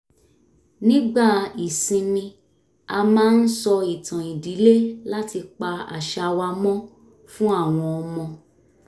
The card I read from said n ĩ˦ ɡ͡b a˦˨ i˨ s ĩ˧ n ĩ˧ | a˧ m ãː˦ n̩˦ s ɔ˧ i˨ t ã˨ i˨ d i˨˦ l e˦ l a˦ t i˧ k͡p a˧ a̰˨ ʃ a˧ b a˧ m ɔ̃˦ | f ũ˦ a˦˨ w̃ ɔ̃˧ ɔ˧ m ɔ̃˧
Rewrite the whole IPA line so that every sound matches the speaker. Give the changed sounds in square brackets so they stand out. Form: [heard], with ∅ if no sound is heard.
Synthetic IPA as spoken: n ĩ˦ ɡ͡b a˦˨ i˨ s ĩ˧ n ĩ˧ | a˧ m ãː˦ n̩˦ s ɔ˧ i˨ t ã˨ i˨ d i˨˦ l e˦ l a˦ t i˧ k͡p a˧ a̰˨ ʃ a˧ [w] a˧ m ɔ̃˦ | f ũ˦ a˦˨ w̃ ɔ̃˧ ɔ˧ m ɔ̃˧